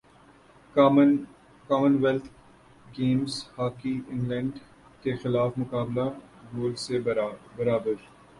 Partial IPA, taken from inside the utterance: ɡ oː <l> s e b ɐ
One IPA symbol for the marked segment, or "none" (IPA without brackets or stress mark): l